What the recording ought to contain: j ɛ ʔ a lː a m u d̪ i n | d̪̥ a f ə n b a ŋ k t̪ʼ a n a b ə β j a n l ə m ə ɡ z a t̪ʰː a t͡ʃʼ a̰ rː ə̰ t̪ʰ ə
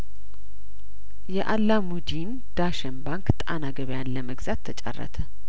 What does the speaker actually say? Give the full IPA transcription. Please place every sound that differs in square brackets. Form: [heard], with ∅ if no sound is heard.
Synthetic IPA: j ɛ ʔ a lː a m u d̪ i n | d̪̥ a [ʃ] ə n b a ŋ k t̪ʼ a n a [ɡ] ə β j a n l ə m ə ɡ z a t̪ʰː [ə] t͡ʃʼ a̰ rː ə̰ t̪ʰ ə